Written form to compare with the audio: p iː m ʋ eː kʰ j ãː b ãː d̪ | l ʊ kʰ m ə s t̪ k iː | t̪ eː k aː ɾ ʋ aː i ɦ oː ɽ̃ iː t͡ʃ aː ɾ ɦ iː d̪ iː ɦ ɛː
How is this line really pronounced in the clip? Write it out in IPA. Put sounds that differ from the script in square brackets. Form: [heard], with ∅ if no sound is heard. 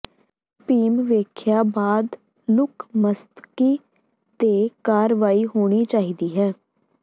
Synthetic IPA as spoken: p iː m ʋ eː kʰ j [aː] b [aː] d̪ | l ʊ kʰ m ə s t̪ k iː | t̪ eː k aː ɾ ʋ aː i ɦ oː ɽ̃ iː t͡ʃ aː [∅] ɦ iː d̪ iː ɦ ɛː